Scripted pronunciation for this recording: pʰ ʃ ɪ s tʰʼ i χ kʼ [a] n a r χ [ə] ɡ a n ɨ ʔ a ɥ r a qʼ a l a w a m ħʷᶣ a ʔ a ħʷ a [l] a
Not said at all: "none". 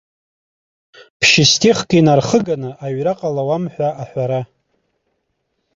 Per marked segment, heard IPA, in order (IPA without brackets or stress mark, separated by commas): i, ə, ɾ